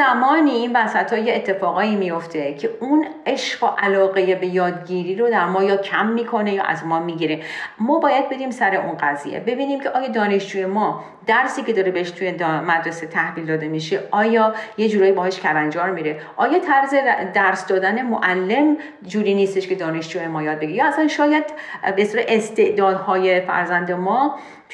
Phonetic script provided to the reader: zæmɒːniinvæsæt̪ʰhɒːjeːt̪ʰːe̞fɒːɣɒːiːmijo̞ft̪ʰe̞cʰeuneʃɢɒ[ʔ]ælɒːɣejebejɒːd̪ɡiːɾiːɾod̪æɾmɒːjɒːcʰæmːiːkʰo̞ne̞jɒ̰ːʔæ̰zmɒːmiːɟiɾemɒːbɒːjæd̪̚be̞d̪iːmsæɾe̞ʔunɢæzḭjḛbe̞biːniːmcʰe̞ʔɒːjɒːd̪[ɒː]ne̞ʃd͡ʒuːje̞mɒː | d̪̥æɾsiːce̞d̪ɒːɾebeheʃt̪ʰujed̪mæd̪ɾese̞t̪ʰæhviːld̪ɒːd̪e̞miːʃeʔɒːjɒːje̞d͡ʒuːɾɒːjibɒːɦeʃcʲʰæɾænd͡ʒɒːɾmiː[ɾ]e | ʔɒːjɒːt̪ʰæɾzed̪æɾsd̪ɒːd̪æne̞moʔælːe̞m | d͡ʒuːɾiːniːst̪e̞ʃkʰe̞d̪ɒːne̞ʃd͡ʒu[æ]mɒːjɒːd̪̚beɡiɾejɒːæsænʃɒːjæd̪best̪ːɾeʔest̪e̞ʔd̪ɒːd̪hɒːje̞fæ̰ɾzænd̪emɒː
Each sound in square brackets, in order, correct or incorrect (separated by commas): correct, correct, correct, incorrect